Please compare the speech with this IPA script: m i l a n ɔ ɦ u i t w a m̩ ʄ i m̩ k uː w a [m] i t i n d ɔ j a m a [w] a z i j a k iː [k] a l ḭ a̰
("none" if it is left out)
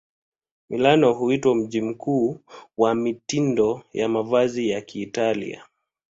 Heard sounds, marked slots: m, v, t

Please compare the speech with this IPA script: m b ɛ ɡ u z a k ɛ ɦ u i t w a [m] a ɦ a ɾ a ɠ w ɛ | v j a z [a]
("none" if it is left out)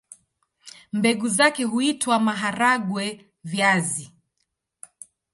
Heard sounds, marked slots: m, i

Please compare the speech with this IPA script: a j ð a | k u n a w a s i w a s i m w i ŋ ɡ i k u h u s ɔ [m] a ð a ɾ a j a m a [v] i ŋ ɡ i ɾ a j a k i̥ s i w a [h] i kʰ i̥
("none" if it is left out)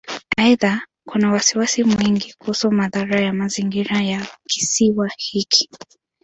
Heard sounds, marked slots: m, z, h

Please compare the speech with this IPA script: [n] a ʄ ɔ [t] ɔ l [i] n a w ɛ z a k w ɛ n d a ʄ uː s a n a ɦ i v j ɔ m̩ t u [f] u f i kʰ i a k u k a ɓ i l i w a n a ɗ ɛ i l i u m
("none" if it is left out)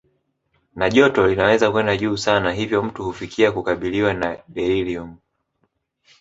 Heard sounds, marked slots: n, t, i, h

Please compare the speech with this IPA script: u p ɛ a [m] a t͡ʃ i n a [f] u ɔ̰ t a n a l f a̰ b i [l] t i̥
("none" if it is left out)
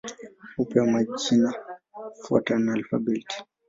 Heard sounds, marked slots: m, f, l

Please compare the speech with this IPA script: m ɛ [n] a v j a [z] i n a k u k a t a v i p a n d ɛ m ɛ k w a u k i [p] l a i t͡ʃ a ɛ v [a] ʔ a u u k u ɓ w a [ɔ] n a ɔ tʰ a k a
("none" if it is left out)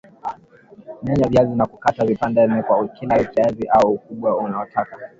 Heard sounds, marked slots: ɲ, z, none, i, u

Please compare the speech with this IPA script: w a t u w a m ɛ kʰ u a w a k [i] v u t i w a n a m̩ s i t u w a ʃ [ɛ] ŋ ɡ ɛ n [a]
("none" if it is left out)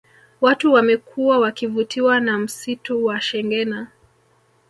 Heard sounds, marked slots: i, ɛ, a

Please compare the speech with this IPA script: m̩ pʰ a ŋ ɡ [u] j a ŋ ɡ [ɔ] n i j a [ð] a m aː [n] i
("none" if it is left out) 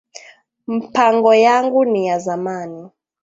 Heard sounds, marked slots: ɔ, u, z, n

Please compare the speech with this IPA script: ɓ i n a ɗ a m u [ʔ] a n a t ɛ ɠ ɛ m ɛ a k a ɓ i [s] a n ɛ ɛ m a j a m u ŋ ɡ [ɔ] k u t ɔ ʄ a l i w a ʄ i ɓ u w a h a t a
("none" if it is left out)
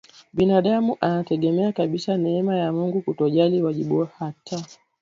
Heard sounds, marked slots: ʔ, s, u

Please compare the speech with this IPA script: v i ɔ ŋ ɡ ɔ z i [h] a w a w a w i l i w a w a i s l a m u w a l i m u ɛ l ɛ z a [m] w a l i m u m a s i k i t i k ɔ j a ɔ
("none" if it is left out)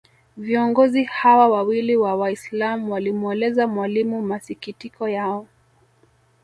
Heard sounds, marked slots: h, m

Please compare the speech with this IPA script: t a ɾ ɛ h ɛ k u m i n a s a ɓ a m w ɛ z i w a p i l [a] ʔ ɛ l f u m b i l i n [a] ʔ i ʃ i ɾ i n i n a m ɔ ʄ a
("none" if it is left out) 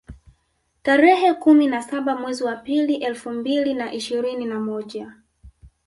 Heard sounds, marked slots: i, a

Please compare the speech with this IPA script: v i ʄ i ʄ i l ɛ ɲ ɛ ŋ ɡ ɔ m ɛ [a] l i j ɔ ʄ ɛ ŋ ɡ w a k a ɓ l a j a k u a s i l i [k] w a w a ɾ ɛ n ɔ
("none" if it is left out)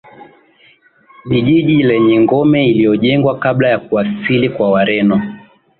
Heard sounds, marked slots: i, k

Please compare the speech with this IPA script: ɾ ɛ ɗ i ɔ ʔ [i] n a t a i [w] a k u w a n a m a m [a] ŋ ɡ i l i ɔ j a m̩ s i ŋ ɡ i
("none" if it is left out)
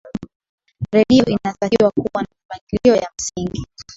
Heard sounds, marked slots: i, w, a

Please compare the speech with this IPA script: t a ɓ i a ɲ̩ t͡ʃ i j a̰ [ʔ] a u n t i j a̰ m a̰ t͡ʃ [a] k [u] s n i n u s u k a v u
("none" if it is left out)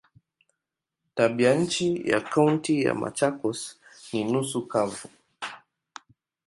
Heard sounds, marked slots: k, a, ɔ

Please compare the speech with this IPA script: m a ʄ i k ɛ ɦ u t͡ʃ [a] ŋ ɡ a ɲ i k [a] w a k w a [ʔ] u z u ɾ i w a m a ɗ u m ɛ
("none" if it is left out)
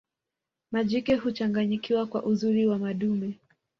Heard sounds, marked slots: a, i, ʔ

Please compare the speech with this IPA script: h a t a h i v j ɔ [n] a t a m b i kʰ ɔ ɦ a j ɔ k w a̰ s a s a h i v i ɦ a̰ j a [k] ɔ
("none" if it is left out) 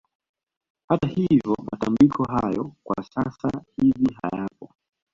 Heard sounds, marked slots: m, p

